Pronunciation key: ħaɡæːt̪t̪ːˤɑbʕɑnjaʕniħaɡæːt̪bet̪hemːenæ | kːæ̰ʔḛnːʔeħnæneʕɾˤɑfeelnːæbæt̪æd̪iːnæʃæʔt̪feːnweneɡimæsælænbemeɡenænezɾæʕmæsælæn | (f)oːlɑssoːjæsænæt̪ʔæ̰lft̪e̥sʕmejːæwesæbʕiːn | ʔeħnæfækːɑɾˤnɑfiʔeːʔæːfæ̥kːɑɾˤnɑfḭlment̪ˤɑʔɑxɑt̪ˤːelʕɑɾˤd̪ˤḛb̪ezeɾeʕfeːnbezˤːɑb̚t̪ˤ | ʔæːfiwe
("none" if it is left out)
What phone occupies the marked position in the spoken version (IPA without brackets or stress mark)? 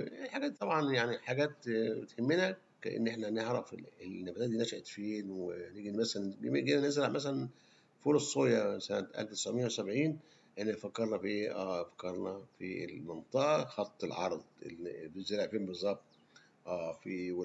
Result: f